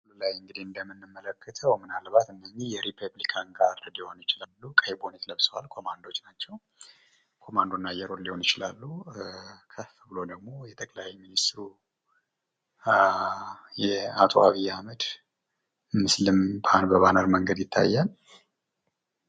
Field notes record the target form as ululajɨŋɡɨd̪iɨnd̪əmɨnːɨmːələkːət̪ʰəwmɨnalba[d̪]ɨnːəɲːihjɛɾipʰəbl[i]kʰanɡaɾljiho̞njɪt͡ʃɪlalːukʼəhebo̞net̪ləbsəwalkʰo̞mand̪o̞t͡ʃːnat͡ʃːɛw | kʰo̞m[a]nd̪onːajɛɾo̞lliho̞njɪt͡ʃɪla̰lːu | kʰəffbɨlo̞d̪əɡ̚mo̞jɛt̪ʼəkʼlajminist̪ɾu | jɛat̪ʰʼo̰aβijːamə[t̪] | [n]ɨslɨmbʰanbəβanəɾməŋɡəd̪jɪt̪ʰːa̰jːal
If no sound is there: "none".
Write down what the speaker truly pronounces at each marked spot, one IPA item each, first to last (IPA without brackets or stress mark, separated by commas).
t̪, i, a, d̪, m